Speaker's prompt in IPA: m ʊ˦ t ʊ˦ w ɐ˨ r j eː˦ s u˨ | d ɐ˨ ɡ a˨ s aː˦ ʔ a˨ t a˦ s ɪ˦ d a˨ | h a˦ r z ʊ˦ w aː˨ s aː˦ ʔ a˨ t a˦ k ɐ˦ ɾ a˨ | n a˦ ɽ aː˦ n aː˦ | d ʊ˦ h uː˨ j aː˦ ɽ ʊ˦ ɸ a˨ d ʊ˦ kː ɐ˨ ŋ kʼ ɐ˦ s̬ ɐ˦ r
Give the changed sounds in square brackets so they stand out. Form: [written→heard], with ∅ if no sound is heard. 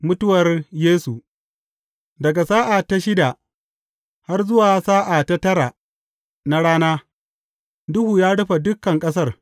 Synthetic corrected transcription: m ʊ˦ t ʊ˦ w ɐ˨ r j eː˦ s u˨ | d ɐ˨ ɡ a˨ s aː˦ ʔ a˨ t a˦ [s→ʃ] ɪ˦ d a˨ | h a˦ r z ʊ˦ w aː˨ s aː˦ ʔ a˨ t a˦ [k→t] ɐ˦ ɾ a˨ | n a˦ ɽ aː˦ n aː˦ | d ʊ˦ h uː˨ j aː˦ ɽ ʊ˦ ɸ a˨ d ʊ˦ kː ɐ˨ ŋ kʼ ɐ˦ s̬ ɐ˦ r